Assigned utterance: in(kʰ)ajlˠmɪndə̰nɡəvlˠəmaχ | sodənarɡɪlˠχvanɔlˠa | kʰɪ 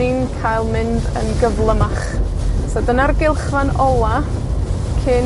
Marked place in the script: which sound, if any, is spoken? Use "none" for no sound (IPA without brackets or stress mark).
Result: kʰ